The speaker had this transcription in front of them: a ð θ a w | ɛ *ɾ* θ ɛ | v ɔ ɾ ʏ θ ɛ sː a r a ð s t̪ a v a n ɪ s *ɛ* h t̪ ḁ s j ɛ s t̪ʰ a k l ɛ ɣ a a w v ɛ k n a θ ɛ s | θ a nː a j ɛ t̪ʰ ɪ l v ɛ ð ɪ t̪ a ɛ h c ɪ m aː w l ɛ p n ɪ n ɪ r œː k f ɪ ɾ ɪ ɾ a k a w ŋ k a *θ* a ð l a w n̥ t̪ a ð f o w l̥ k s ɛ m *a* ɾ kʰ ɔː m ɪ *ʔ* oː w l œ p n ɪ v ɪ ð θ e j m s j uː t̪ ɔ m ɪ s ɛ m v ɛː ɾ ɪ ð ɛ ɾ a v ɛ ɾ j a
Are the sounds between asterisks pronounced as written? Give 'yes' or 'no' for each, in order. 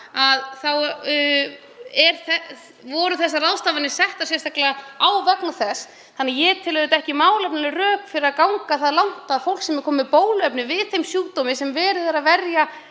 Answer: yes, yes, yes, no, no

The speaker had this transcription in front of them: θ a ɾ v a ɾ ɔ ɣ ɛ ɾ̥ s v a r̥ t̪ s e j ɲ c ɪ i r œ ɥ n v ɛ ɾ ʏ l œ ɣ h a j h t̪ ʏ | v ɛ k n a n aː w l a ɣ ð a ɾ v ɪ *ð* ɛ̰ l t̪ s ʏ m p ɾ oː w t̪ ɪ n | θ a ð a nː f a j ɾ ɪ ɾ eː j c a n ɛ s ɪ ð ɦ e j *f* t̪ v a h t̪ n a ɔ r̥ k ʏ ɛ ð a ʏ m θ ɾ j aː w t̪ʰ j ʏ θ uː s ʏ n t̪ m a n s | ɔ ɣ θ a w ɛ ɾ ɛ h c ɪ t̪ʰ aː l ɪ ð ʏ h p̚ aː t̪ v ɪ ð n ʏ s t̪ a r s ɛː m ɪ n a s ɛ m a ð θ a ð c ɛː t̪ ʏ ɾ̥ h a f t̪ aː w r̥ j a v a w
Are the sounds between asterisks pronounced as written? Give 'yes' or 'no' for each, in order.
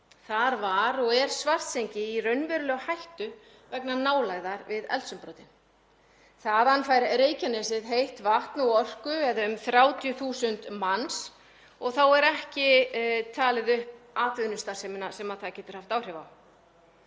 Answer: yes, no

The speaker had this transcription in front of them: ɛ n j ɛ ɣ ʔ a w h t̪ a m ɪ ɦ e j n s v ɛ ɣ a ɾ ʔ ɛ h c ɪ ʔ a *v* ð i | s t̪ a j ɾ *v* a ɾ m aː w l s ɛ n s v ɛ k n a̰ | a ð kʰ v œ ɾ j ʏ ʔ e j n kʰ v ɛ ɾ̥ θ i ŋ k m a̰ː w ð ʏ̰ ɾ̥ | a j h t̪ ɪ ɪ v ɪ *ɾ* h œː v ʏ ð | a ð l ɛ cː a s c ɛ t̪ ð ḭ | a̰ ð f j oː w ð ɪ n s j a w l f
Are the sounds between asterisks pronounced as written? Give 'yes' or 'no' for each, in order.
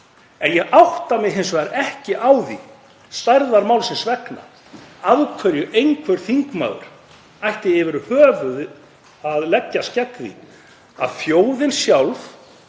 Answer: no, no, yes

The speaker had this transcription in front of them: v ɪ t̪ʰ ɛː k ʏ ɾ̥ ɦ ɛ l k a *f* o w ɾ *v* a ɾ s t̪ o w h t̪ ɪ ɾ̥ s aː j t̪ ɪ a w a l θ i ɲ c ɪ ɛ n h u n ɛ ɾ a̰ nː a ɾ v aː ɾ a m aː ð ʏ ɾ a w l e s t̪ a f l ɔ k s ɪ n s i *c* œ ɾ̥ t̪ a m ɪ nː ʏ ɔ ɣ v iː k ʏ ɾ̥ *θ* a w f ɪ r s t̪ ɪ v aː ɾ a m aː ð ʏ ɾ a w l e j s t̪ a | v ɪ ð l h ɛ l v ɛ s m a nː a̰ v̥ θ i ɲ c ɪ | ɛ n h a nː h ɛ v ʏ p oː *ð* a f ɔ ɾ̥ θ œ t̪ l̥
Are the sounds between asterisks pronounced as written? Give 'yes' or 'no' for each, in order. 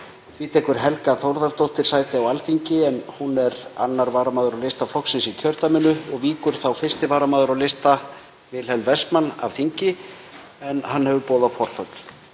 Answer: no, no, no, yes, yes

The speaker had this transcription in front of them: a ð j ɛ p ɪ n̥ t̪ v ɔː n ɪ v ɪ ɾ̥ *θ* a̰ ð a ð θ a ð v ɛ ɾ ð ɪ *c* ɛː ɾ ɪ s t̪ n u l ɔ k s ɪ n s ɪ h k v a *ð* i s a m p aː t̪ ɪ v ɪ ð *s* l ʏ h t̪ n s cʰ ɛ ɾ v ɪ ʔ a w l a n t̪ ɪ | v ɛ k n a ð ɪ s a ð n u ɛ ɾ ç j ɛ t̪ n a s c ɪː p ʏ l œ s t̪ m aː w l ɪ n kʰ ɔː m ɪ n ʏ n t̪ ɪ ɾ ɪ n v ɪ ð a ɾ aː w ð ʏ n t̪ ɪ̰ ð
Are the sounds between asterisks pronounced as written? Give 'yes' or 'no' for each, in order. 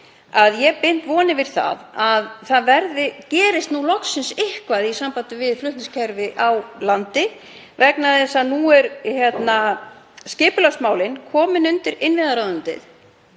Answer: yes, yes, yes, no

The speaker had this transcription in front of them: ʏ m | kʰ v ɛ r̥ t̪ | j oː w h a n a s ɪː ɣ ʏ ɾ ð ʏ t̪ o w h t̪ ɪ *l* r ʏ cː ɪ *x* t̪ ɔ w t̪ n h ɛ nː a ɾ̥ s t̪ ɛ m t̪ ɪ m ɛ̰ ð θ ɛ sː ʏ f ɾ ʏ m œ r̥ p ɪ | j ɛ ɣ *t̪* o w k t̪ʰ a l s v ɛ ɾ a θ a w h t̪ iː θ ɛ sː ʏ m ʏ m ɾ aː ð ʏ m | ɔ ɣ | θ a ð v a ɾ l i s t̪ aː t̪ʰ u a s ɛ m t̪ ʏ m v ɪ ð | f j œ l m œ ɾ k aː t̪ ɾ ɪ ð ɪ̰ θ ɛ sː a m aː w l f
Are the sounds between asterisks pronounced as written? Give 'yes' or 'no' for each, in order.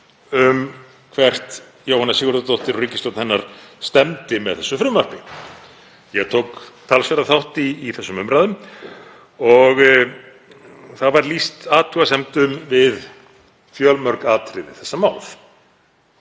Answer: no, no, no

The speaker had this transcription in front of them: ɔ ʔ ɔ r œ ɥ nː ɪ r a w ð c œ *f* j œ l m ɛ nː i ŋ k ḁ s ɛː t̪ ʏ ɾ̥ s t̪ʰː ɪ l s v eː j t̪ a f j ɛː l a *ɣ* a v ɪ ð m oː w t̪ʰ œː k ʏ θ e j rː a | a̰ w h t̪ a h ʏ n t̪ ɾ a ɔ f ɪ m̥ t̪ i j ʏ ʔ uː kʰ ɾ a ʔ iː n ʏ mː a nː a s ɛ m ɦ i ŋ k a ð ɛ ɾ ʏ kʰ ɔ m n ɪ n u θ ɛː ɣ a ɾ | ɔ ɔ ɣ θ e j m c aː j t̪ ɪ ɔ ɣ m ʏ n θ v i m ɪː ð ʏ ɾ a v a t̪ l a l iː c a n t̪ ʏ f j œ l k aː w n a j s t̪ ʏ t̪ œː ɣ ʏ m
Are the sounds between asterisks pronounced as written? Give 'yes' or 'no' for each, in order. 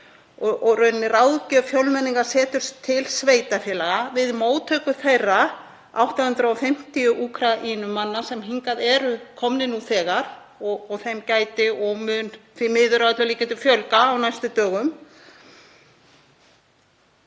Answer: yes, yes

